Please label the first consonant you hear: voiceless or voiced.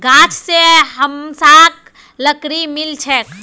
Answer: voiced